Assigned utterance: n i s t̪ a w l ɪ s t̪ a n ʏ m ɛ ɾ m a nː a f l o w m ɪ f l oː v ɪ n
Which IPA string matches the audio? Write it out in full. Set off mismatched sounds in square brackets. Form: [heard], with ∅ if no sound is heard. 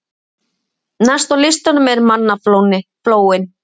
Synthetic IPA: n [a] s t̪ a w l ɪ s t̪ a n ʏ m ɛ ɾ m a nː a f l o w [n] ɪ f l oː [w] ɪ n